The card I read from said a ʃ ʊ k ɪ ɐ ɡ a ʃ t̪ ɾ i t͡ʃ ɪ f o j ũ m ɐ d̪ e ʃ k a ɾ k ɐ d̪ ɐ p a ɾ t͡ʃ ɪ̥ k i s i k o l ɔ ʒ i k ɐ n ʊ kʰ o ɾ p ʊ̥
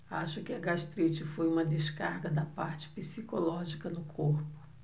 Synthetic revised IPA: a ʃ ʊ k ɪ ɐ ɡ a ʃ t̪ ɾ i t͡ʃ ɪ f o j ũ m ɐ d̪ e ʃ k a ɾ ɡ ɐ d̪ ɐ p a ɾ t͡ʃ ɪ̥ p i s i k o l ɔ ʒ i k ɐ n ʊ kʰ o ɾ p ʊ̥